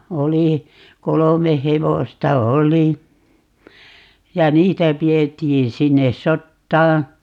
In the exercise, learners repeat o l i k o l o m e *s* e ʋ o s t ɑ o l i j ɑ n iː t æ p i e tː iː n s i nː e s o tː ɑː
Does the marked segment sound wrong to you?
yes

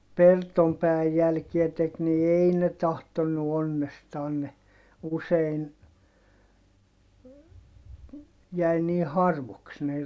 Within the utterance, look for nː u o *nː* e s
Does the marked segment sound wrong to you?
no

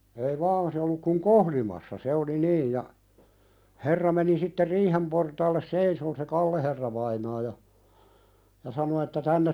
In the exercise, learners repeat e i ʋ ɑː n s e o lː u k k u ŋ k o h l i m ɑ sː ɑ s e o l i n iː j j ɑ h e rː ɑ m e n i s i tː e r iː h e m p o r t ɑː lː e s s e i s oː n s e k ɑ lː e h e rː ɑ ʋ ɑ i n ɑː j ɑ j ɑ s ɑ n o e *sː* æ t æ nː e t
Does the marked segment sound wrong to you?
yes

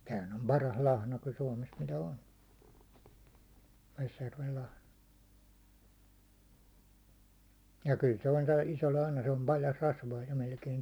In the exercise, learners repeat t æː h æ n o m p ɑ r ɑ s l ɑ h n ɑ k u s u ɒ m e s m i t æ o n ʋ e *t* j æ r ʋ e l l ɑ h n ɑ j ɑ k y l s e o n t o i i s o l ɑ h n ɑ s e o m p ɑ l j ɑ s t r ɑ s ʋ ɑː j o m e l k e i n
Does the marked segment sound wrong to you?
yes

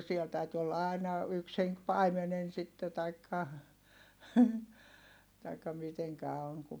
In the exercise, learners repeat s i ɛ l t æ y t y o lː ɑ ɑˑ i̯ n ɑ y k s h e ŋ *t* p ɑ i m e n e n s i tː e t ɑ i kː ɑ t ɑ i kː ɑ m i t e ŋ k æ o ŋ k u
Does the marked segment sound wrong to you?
yes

